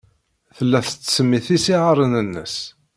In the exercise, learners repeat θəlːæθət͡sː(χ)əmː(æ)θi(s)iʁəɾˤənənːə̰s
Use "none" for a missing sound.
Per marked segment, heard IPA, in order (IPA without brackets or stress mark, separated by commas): s, i, s